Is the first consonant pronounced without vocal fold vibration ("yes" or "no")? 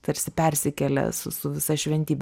yes